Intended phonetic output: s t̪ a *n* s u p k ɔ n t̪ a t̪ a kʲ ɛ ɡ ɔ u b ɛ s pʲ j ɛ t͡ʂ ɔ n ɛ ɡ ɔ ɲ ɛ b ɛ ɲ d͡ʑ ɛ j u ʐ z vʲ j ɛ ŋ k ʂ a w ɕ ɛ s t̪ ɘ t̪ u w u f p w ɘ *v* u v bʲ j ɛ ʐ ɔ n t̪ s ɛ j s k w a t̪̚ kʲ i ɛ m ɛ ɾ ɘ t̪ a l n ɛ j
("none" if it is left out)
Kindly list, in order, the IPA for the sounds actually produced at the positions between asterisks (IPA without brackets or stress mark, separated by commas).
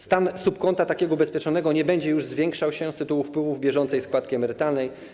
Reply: n, v